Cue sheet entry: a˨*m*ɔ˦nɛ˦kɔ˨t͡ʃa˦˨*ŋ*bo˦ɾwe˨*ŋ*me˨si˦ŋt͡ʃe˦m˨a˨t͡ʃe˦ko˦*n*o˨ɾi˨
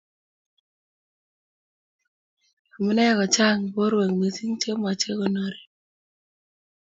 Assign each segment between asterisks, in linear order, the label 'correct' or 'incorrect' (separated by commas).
correct, correct, correct, correct